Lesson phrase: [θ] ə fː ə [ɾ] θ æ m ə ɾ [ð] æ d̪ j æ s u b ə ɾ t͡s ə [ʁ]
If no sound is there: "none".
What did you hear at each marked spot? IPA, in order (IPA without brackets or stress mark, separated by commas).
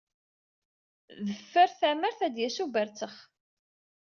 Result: ð, ɾ, θ, χ